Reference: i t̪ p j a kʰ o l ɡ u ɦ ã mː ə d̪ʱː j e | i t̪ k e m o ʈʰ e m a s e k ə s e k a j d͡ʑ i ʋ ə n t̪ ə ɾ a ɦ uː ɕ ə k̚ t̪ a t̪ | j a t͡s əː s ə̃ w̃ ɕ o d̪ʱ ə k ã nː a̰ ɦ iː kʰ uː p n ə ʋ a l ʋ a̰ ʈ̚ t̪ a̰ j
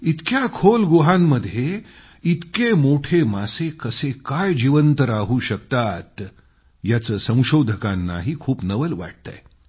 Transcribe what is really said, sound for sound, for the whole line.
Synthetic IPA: i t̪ k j a kʰ o l ɡ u ɦ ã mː ə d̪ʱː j e | i t̪ k e m o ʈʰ e m a s e k ə s e k a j d͡ʑ i ʋ ə n t̪ ə ɾ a ɦ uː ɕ ə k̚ t̪ a t̪ | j a t͡s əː s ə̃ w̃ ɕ o d̪ʱ ə k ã nː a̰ ɦ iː kʰ uː p n ə ʋ ə l ʋ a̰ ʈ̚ t̪ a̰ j